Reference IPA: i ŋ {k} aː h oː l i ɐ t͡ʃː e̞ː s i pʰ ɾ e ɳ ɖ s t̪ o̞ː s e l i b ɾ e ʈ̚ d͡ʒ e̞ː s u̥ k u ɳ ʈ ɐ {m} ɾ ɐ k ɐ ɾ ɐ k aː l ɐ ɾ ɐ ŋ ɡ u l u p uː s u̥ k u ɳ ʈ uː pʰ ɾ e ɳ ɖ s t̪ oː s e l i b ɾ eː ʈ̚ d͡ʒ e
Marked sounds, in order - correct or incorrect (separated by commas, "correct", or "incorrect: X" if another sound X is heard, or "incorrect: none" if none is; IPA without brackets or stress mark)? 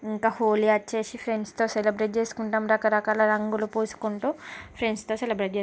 correct, correct